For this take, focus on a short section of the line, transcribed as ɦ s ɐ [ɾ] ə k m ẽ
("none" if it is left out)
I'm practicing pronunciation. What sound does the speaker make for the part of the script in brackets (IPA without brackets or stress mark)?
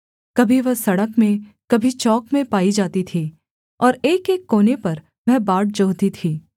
ɽ